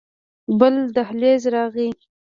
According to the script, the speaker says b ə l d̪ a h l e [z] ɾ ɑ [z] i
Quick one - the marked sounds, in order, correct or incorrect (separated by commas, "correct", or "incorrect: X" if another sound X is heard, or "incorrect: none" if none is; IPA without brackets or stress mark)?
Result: correct, incorrect: ɣ